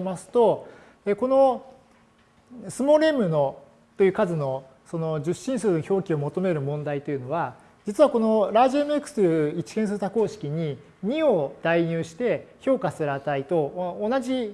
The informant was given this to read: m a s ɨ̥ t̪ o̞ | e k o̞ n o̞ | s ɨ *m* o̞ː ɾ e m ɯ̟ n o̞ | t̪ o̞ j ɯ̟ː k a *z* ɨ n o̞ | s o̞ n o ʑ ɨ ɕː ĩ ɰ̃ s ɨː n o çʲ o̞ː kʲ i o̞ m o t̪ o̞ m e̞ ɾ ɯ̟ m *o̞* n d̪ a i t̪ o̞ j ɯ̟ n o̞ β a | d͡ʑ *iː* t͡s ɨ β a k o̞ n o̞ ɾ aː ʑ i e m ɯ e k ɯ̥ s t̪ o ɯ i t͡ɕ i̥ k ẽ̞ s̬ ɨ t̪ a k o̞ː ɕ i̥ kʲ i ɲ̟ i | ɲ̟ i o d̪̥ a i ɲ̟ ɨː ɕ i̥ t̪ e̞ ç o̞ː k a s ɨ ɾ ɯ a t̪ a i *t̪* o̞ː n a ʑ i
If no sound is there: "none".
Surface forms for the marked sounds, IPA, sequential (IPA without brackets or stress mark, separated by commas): m, z, õ̞, i, t̪